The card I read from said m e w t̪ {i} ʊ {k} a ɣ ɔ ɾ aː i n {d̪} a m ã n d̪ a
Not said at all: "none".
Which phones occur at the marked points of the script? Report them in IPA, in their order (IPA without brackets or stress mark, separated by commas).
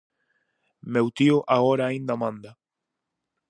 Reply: i, ʔ, d̪